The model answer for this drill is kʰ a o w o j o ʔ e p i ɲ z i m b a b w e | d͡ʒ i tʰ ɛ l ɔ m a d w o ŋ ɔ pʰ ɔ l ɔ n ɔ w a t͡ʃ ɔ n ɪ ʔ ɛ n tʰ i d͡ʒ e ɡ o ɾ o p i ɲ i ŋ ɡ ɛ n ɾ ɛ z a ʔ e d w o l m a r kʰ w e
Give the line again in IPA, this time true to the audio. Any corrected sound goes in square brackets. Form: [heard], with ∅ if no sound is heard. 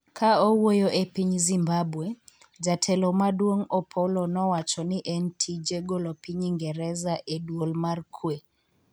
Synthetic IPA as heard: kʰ a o w o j o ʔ e p i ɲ z i m b a b w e | d͡ʒ [a] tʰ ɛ l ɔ m a d w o ŋ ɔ pʰ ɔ l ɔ n ɔ w a t͡ʃ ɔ n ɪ ʔ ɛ n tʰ i d͡ʒ e ɡ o [l] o p i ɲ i ŋ ɡ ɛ [∅] ɾ ɛ z a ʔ e d w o l m a r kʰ w e

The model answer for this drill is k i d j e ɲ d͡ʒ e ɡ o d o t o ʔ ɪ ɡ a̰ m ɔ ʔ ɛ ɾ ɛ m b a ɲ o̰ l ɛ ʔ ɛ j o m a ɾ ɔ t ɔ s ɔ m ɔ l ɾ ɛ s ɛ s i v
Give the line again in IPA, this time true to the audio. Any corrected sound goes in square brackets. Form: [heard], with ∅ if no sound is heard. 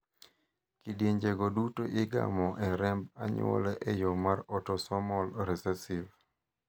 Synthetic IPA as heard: k i d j e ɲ d͡ʒ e ɡ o d [u] t o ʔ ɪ ɡ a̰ m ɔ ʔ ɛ ɾ ɛ m b a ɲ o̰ l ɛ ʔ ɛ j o m a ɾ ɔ t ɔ s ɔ m ɔ l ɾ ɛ s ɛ s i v

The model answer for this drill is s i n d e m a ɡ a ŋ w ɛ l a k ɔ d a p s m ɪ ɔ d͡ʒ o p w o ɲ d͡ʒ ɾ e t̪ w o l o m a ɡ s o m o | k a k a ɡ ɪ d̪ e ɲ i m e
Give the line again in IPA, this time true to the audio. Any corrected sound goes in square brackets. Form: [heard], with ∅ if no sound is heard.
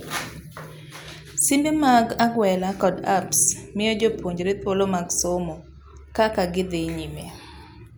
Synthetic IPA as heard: s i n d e m a ɡ a [ɡ] w ɛ l a k ɔ d a p s m ɪ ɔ d͡ʒ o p w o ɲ d͡ʒ ɾ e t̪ w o l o m a ɡ s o m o | k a k a ɡ ɪ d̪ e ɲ i m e

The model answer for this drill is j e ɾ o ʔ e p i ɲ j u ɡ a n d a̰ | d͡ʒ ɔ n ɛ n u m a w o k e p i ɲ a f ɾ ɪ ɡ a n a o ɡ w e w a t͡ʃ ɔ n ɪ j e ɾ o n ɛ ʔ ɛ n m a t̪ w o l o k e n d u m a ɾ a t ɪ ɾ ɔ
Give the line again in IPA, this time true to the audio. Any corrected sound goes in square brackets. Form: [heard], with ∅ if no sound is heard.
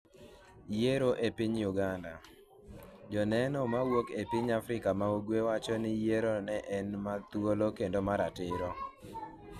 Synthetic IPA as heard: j e ɾ o ʔ e p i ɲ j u ɡ a n d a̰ | d͡ʒ ɔ n ɛ n [ɔ] m a w o k e p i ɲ a f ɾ ɪ [k] a [m] a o ɡ w e w a t͡ʃ ɔ n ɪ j e ɾ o n ɛ ʔ ɛ n m a t̪ w o l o k e n d [o] m a ɾ a t ɪ ɾ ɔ

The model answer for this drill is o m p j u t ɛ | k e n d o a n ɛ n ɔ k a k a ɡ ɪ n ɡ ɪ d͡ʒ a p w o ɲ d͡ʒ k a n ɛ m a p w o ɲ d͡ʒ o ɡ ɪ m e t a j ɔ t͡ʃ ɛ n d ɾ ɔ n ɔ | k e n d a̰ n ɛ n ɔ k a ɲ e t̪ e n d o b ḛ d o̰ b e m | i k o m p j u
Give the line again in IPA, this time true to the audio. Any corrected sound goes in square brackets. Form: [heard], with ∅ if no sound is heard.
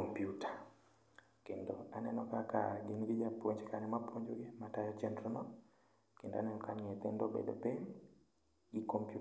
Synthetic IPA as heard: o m p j u t [a] | k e n d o a n ɛ n ɔ k a k a ɡ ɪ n ɡ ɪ d͡ʒ a p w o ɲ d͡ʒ k a n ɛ m a p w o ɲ d͡ʒ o ɡ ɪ m [a] t a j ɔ t͡ʃ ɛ n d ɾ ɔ n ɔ | k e n d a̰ n ɛ n ɔ k a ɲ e t̪ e n d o b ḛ d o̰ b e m | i k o m p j u

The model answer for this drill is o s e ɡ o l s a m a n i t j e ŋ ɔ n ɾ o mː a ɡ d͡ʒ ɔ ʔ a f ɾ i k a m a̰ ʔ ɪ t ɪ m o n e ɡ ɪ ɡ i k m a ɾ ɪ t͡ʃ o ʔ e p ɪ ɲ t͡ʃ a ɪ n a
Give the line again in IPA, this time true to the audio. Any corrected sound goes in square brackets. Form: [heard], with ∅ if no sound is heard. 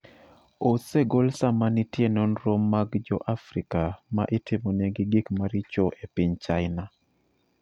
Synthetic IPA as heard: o s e ɡ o l s a m a n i t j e [n] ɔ n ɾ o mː a ɡ d͡ʒ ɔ ʔ a f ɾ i k a m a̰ ʔ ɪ t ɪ m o n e ɡ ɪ ɡ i k m a ɾ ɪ t͡ʃ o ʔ e p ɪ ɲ t͡ʃ a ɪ n a

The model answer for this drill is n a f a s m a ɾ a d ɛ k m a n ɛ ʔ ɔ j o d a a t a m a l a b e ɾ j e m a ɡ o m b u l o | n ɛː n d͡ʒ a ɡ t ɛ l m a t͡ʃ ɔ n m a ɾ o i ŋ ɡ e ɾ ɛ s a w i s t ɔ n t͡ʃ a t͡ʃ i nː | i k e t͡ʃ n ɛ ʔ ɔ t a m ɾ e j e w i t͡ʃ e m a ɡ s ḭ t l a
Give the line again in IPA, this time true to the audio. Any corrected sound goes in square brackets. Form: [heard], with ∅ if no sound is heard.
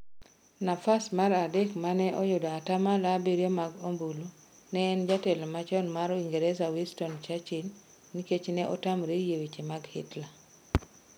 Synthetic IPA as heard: n a f a s m a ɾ a d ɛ k m a n ɛ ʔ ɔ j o d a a t a m a l a b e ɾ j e m a ɡ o m b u l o | n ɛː n d͡ʒ a [∅] t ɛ l m a t͡ʃ ɔ n m a ɾ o i ŋ ɡ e ɾ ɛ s a w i s t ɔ n t͡ʃ a t͡ʃ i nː | i k e t͡ʃ n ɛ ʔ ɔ t a m ɾ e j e w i t͡ʃ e m a ɡ [h] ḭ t l a

